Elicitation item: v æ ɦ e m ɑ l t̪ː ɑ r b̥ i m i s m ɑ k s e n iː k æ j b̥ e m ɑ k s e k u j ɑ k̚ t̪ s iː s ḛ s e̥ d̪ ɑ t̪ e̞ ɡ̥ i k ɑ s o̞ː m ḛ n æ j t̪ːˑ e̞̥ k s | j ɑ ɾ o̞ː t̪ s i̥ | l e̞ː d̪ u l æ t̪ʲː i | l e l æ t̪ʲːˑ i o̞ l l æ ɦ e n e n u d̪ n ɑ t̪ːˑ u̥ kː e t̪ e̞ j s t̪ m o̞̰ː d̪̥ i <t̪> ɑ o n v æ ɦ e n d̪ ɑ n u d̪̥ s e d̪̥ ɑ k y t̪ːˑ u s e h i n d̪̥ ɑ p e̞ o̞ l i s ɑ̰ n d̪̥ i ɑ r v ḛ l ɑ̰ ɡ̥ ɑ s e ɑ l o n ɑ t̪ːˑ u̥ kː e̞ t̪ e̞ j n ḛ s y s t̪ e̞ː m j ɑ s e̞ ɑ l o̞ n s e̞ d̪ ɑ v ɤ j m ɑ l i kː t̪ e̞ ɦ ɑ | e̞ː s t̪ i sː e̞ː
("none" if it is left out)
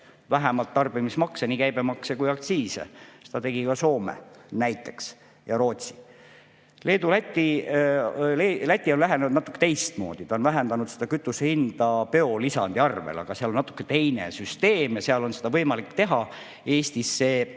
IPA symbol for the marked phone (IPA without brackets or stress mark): t̪